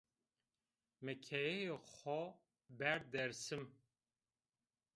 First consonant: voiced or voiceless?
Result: voiced